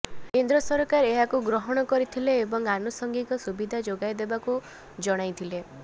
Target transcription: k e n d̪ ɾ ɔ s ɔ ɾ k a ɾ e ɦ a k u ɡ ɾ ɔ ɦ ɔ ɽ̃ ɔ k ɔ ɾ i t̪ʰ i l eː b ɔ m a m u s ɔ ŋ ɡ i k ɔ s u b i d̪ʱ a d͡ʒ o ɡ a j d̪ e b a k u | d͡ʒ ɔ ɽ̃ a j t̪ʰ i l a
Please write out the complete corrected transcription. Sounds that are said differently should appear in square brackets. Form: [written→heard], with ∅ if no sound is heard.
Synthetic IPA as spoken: k e n d̪ ɾ ɔ s ɔ ɾ k a ɾ e ɦ a k u ɡ ɾ ɔ ɦ ɔ ɽ̃ ɔ k ɔ ɾ i t̪ʰ i l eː b ɔ [m→ŋ] a [m→n] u s ɔ ŋ ɡ i k ɔ s u b i d̪ʱ a d͡ʒ o ɡ a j d̪ e b a k u | d͡ʒ ɔ ɽ̃ a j t̪ʰ i l [a→e]